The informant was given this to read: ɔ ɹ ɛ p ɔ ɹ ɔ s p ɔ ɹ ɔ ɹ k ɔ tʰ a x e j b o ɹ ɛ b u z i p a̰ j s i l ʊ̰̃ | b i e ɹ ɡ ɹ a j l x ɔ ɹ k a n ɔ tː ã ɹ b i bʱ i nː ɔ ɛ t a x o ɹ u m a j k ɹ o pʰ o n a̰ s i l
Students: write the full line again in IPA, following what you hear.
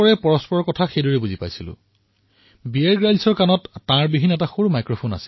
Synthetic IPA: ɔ ɹ ɛ p ɔ ɹ ɔ s p ɔ ɹ ɔ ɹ k ɔ tʰ a x e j d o ɹ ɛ b u z i p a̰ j s i l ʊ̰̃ | b i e ɹ ɡ ɹ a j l s ɔ ɹ k a n ɔ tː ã ɹ b i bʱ i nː ɔ ɛ t a x o ɹ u m a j k ɹ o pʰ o n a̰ s i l